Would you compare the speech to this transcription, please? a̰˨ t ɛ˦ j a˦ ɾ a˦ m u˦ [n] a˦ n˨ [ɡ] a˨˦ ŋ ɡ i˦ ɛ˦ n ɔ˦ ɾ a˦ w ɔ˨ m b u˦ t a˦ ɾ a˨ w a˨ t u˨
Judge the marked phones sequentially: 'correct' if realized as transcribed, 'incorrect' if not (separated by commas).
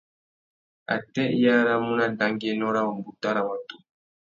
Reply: correct, incorrect